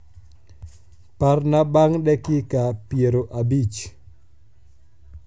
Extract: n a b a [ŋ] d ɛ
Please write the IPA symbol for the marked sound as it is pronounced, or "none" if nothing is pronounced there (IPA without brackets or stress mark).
ŋ